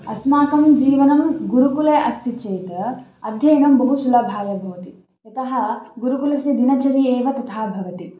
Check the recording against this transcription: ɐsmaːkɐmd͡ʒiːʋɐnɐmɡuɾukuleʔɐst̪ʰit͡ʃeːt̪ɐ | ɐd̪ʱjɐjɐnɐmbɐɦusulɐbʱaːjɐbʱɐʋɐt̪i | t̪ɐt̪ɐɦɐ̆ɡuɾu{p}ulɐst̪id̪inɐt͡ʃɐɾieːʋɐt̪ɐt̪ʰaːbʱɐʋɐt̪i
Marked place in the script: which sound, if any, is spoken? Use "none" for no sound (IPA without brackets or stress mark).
k